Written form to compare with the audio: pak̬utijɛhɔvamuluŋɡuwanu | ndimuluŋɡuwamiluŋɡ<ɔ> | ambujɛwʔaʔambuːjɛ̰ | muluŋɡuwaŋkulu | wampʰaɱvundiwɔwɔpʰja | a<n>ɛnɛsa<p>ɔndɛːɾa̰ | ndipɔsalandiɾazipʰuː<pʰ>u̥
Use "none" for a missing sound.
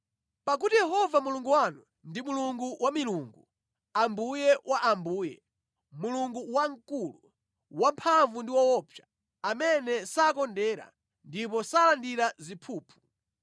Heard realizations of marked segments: u, m, k, pʰ

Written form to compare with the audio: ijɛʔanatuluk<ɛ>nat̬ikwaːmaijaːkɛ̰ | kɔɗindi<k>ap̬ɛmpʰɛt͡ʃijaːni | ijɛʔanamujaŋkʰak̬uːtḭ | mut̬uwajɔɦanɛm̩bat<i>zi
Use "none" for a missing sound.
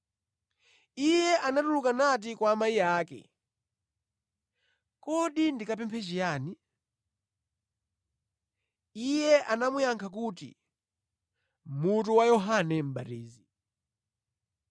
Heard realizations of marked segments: a, k, iː

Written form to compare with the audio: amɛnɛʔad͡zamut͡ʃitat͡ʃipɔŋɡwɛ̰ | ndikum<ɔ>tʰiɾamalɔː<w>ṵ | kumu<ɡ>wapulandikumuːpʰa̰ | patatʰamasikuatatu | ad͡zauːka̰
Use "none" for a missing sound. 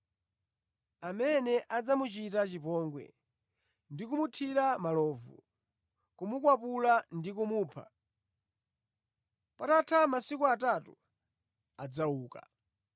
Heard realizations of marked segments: u, v, k

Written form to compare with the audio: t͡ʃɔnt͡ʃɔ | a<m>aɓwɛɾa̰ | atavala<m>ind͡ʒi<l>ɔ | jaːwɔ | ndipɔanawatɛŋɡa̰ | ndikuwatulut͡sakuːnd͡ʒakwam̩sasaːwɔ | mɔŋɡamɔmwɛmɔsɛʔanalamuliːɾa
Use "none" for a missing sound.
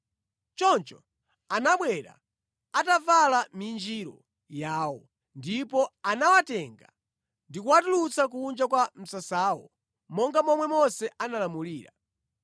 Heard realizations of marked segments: n, m, ɾ

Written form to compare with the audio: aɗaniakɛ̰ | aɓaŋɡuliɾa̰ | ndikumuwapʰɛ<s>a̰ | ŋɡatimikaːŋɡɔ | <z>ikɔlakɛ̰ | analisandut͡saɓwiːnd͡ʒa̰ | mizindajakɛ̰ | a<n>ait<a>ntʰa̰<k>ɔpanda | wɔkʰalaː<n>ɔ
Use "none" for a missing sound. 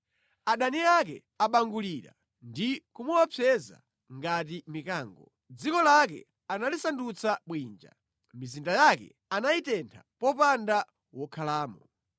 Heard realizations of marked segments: z, d͡z, n, ɛ, p, m

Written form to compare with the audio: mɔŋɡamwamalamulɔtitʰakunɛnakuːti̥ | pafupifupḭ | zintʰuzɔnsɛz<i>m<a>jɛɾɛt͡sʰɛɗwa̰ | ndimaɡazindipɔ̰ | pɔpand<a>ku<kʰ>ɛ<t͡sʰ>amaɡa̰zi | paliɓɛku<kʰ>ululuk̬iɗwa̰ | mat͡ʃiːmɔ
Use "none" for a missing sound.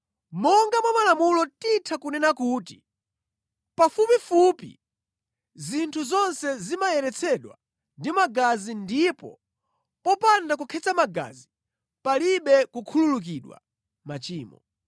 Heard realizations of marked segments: i, a, a, kʰ, t͡s, kʰ

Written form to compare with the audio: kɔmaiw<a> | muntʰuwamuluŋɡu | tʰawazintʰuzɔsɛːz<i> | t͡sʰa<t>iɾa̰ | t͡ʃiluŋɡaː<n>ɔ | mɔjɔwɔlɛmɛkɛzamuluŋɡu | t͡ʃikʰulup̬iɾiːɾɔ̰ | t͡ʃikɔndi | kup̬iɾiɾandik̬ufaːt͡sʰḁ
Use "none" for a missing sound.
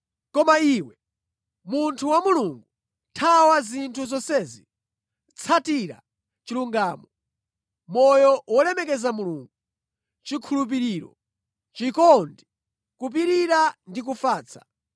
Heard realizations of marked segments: ɛ, i, t, m

